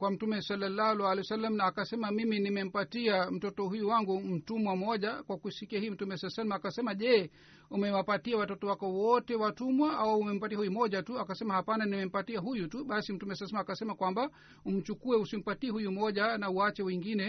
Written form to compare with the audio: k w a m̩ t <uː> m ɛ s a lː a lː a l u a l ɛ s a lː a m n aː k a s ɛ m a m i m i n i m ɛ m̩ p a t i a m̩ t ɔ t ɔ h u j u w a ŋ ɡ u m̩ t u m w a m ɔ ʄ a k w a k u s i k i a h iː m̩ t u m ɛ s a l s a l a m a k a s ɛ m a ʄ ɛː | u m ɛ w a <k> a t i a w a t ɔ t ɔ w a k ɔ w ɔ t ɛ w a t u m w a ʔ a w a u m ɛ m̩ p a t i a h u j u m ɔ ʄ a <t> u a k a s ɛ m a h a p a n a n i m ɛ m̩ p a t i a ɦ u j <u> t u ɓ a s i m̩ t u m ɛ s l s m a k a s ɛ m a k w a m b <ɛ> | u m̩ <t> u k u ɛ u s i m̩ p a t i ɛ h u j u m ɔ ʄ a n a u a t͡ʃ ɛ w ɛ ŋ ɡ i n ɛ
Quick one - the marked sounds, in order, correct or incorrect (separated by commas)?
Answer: incorrect, incorrect, correct, correct, incorrect, incorrect